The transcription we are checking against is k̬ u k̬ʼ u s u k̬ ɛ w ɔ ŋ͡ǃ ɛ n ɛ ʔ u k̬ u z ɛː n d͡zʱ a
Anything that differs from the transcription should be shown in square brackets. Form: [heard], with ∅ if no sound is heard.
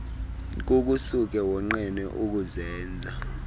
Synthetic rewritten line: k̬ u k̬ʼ u s u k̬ ɛ w ɔ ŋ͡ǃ ɛ n ɛ ʔ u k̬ u z ɛː n d͡zʱ a